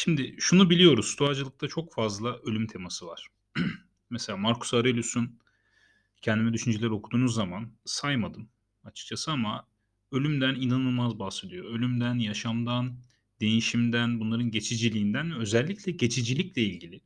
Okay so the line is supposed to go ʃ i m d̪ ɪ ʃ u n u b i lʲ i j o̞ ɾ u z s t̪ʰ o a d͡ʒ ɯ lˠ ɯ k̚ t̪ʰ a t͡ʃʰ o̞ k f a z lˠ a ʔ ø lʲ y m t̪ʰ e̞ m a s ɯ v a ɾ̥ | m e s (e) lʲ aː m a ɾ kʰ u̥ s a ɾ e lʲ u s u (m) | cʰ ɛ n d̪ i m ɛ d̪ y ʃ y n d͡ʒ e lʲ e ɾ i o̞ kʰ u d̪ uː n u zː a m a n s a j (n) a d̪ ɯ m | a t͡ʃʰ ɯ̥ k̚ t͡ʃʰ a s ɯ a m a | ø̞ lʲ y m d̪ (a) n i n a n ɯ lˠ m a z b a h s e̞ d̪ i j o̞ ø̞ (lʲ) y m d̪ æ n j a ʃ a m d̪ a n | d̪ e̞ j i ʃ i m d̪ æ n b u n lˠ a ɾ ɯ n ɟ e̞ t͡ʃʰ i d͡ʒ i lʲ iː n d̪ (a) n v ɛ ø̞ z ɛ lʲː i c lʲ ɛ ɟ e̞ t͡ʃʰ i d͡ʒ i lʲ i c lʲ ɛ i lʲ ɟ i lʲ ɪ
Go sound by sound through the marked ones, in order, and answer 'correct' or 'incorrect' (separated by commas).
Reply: correct, incorrect, incorrect, incorrect, correct, incorrect